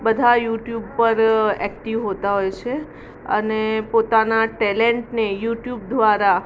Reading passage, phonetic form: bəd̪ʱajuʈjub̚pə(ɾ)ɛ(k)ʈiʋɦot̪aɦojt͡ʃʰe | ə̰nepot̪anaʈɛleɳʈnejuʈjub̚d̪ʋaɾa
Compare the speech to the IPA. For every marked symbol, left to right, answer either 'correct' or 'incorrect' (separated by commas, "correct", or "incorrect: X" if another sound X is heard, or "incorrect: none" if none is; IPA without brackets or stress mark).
correct, correct